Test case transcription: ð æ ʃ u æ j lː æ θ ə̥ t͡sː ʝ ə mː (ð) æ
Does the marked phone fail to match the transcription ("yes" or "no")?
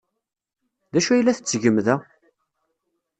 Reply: no